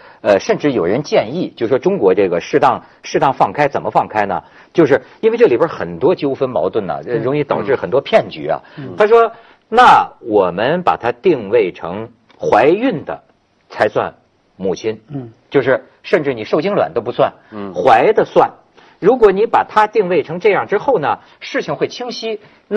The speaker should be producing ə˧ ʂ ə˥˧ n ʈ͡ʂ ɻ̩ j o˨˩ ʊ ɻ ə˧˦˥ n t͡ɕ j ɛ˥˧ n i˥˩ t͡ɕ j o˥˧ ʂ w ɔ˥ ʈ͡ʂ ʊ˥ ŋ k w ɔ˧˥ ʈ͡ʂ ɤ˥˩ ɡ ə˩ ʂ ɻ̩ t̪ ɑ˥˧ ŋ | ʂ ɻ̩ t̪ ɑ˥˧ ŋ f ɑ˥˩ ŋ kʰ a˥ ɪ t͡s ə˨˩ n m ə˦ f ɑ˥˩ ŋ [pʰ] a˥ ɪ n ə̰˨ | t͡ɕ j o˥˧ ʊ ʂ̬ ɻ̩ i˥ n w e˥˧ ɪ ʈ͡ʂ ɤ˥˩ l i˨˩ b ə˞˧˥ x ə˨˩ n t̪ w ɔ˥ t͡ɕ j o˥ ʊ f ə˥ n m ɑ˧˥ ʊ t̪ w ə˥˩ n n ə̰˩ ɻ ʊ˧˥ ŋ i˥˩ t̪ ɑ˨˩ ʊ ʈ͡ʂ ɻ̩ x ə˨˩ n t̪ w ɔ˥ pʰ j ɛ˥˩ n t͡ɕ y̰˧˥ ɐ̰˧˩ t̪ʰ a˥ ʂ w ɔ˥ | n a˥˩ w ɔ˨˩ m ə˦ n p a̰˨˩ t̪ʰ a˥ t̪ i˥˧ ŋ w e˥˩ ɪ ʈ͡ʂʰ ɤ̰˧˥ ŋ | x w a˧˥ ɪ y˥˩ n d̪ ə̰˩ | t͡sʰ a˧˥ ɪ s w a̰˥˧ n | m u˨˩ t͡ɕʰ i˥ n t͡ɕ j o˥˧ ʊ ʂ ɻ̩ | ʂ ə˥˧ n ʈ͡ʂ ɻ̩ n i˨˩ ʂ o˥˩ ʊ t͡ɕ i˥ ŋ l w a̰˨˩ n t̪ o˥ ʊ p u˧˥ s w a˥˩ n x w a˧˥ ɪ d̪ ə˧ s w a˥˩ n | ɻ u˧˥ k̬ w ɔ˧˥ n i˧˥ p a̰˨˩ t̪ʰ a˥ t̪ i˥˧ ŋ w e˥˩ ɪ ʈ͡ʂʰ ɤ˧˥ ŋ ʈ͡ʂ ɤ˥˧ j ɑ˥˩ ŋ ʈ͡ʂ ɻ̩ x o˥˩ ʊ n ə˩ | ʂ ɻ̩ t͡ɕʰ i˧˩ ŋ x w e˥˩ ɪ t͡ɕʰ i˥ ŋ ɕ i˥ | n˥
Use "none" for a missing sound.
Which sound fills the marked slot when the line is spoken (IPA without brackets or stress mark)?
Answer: kʰ